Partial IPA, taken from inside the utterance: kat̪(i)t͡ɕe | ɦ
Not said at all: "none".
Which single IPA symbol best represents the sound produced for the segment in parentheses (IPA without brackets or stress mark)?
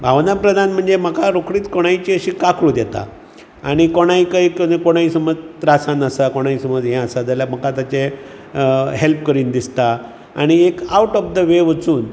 a